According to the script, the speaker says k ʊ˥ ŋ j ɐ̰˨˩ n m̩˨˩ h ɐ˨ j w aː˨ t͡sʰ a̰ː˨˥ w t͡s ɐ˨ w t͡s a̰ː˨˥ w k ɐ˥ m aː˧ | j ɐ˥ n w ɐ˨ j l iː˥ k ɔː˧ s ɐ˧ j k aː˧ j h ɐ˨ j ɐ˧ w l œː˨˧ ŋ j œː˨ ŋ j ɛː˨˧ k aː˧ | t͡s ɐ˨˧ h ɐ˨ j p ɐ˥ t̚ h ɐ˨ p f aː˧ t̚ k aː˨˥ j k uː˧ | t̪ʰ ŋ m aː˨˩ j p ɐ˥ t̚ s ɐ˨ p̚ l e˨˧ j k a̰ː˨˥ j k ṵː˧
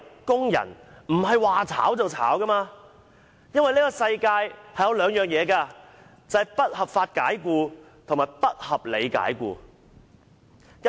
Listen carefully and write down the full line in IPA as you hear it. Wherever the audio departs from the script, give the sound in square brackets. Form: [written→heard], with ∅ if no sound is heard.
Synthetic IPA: k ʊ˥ ŋ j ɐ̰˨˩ n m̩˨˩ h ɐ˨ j w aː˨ t͡sʰ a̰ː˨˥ w t͡s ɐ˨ w [t͡s→t͡sʰ] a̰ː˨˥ w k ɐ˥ m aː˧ | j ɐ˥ n w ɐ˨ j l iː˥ k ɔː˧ s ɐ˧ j k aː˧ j h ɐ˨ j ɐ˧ w l œː˨˧ ŋ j œː˨ ŋ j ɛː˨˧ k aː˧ | t͡s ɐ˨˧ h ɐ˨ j p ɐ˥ t̚ h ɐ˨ p f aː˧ t̚ k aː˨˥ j k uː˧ | t̪ʰ ŋ m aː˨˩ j p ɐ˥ t̚ [s→h] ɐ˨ p̚ l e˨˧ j k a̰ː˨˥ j k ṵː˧